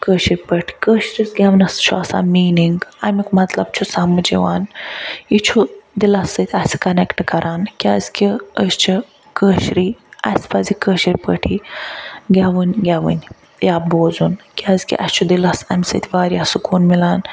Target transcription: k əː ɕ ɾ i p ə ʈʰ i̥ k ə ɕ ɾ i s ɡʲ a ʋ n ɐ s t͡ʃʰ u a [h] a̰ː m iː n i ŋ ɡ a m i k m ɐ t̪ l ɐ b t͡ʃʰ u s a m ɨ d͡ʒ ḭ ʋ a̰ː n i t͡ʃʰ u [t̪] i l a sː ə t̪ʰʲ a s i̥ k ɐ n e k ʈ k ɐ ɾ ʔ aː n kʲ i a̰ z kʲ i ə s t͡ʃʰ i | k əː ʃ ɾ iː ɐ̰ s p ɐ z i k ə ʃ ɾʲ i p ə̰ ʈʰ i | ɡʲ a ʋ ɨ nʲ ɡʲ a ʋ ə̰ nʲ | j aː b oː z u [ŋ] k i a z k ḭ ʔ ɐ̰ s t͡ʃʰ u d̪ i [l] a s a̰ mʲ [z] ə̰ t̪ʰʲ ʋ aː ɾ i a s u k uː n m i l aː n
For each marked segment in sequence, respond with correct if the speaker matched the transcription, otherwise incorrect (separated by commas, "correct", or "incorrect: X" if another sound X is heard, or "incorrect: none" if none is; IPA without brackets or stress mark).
incorrect: s, incorrect: d̪, incorrect: n, correct, incorrect: s